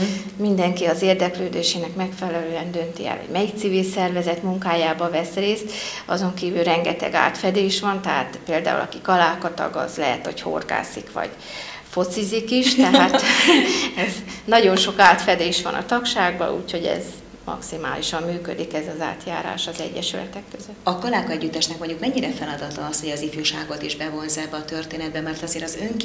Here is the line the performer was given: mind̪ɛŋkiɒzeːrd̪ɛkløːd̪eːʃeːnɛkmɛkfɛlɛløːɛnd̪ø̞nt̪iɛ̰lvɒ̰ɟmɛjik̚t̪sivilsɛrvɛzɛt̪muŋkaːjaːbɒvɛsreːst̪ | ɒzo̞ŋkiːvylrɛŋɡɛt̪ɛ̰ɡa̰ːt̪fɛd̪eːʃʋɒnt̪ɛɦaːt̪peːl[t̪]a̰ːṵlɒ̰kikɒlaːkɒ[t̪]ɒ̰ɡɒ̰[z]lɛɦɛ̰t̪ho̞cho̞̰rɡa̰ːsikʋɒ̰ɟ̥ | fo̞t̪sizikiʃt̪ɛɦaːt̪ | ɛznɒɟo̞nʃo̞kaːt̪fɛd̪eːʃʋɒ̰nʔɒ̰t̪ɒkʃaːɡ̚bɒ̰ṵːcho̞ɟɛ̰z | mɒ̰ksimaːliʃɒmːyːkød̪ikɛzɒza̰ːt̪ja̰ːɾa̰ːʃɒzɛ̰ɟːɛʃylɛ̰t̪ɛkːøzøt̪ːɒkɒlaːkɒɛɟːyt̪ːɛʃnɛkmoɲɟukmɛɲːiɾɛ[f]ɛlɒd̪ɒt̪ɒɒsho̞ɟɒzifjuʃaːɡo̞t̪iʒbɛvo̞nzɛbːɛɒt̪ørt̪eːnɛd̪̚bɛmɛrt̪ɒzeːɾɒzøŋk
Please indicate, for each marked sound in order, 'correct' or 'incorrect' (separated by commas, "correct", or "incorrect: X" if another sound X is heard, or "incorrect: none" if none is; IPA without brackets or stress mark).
incorrect: d̪, correct, correct, correct